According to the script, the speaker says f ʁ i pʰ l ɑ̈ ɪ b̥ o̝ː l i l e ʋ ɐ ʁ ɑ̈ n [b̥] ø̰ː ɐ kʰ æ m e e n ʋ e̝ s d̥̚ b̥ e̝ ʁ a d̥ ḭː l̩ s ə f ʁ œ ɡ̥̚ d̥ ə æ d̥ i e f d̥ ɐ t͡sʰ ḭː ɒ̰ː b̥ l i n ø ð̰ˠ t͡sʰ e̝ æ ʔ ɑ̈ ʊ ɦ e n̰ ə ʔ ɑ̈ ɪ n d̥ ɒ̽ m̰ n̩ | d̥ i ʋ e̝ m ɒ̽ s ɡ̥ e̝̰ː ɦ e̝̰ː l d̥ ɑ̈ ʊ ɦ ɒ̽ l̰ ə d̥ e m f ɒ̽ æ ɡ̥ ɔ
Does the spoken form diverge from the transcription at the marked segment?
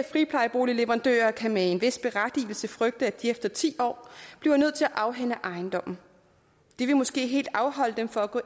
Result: yes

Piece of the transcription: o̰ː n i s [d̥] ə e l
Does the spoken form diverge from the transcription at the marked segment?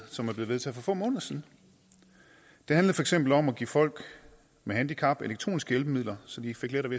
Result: yes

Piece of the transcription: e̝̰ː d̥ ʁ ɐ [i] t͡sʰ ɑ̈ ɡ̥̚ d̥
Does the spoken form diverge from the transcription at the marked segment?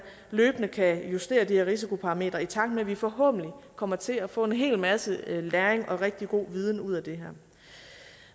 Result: no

